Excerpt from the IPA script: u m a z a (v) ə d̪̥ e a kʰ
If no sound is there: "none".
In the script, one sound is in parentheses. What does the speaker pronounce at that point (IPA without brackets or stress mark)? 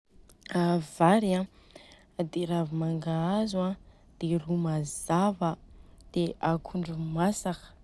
v